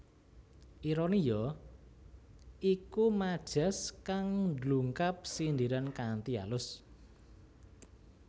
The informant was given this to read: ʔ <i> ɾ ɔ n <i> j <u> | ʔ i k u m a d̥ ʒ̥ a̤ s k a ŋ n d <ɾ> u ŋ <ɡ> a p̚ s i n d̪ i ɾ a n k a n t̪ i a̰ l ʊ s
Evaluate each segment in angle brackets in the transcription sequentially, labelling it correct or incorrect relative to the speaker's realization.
correct, correct, incorrect: ɔ, incorrect: l, incorrect: k

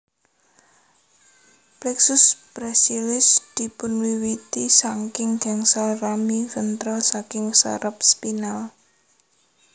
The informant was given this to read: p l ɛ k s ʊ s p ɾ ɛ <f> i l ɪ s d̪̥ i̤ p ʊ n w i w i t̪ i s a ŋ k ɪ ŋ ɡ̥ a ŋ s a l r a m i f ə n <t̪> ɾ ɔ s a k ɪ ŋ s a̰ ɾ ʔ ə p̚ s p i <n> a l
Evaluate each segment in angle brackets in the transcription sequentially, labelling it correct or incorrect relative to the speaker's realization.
incorrect: s, correct, correct

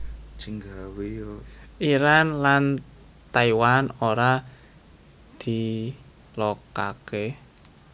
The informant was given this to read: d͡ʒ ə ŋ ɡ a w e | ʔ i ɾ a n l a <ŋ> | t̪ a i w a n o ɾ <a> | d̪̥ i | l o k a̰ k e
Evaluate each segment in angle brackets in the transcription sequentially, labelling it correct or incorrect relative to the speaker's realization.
incorrect: n, correct

